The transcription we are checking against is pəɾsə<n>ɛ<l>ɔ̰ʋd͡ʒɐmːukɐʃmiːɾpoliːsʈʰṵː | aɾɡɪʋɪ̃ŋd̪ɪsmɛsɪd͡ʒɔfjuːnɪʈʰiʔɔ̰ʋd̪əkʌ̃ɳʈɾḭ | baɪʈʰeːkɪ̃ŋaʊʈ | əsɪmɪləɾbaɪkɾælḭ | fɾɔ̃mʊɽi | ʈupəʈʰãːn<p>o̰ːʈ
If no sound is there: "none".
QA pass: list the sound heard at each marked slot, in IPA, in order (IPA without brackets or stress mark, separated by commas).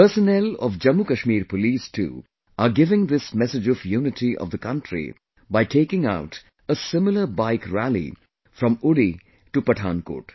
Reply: n, l, k